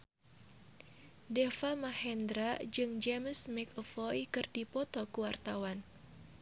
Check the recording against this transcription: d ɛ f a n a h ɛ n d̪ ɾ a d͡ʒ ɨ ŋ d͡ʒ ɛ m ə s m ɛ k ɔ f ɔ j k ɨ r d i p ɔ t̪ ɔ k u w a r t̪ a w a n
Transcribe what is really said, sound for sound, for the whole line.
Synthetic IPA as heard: d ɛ f a m a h ɛ n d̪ ɾ a d͡ʒ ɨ ŋ d͡ʒ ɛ m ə s m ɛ k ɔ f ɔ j k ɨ r d i p ɔ t̪ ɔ k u w a r t̪ a w a n